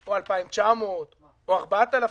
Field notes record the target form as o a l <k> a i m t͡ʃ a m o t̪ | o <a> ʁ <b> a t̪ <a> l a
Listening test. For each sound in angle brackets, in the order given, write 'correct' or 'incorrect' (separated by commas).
incorrect, correct, correct, correct